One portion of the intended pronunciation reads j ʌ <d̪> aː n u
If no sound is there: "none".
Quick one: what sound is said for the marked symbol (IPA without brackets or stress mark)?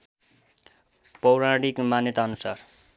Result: t̪